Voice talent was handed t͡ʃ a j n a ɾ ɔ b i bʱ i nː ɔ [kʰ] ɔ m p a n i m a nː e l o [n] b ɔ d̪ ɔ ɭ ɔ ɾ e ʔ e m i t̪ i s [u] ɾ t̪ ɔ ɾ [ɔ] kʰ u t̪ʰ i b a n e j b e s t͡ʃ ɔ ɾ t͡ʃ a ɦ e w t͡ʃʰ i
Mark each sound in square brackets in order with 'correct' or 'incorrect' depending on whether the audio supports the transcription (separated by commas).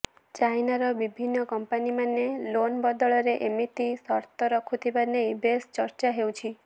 incorrect, correct, incorrect, correct